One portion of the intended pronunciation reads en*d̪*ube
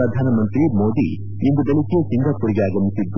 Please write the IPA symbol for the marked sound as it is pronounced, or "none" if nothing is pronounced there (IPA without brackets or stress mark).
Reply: d̪